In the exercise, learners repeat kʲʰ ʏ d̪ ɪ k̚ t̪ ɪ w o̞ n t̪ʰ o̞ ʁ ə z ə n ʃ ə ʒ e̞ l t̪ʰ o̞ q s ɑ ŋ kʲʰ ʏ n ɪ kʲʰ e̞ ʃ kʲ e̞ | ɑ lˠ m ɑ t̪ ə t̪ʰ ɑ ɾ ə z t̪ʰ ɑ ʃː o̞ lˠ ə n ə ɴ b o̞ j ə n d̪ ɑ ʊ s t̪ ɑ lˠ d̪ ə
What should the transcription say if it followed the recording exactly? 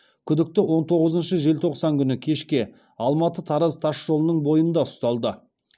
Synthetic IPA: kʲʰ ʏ d̪ ɪ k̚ t̪ ɪ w o̞ n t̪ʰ o̞ ʁ ə z ə n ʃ ə ʒ e̞ l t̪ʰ o̞ q s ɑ ŋ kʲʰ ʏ n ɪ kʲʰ e̞ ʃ kʲ e̞ | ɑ lˠ m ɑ t̪ ə t̪ʰ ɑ ɾ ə z t̪ʰ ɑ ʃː o̞ lˠ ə n ə ɴ b o̞ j ə n d̪ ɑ ʊ s t̪ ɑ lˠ d̪ ə